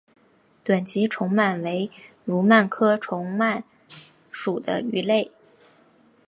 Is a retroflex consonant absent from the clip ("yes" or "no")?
no